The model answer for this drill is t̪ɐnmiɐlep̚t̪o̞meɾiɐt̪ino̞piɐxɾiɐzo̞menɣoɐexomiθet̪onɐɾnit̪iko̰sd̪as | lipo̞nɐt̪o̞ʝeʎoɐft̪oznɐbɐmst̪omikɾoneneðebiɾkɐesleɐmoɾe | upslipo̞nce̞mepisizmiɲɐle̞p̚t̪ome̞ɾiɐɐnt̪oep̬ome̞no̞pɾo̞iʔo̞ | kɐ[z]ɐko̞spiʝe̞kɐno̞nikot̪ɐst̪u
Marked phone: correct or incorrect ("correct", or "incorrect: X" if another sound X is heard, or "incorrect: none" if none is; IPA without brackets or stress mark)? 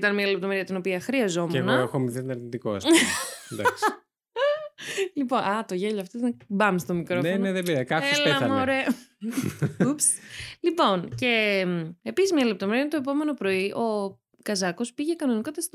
correct